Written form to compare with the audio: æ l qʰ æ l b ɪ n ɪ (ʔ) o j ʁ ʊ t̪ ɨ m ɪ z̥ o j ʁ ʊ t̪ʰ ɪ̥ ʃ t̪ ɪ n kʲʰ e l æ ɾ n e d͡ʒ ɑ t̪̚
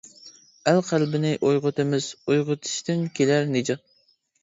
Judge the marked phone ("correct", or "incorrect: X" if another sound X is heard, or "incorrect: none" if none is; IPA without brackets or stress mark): correct